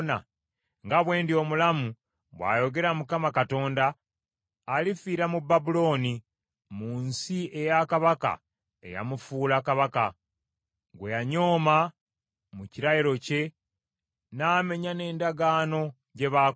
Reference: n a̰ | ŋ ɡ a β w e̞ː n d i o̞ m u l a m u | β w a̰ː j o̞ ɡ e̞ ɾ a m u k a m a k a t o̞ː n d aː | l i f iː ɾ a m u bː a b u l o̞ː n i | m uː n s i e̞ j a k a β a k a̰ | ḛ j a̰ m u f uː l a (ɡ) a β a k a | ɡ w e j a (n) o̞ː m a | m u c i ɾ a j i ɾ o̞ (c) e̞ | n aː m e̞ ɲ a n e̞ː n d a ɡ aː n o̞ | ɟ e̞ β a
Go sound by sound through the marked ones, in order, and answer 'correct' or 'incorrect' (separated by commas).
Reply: incorrect, incorrect, correct